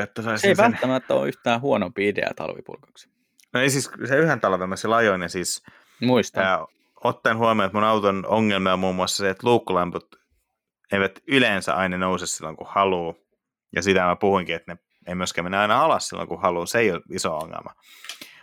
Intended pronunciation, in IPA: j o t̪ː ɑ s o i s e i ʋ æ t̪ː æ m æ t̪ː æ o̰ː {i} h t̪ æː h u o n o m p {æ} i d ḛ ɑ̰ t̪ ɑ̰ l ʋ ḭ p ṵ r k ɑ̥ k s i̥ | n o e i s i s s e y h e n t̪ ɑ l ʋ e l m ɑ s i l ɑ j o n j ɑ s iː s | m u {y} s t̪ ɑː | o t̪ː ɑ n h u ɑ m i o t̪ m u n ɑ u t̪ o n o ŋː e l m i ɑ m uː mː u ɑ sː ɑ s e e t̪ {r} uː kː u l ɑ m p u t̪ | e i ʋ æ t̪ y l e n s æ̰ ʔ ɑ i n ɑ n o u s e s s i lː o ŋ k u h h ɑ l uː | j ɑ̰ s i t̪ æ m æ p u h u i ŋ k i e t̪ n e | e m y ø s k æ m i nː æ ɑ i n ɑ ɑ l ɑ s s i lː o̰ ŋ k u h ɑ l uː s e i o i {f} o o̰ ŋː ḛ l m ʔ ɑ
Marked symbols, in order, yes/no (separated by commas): no, no, no, no, no